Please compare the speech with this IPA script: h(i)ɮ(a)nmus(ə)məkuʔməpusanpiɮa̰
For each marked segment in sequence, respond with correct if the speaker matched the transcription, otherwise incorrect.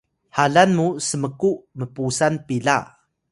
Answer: incorrect: a, correct, correct

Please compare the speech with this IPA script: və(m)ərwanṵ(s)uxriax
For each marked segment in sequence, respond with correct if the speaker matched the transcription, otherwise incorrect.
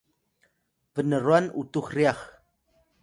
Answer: incorrect: n, incorrect: t

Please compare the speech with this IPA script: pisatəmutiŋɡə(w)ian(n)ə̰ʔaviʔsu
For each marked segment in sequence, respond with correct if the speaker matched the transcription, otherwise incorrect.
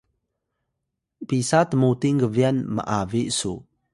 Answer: incorrect: v, incorrect: m

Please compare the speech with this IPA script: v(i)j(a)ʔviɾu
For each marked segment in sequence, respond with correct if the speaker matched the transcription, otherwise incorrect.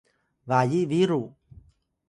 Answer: incorrect: a, incorrect: i

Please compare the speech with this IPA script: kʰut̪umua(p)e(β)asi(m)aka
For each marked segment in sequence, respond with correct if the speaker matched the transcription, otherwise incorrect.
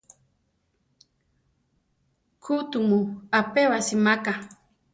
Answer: correct, incorrect: w, correct

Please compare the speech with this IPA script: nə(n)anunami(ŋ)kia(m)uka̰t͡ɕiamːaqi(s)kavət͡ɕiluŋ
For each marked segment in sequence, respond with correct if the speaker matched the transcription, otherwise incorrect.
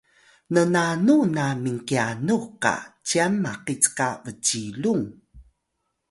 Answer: correct, correct, incorrect: n, incorrect: t͡s

